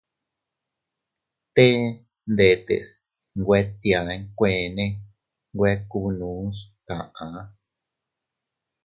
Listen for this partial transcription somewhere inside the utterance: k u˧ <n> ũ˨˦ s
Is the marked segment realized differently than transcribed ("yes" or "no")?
no